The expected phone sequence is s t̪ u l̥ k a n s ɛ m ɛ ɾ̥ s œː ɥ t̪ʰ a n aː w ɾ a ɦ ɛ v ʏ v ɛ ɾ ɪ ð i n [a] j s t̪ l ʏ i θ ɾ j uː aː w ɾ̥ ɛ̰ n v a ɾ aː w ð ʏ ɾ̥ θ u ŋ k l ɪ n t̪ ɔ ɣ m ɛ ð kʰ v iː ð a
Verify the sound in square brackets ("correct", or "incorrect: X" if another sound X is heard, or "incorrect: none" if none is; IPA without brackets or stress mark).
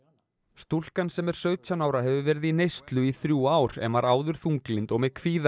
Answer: incorrect: e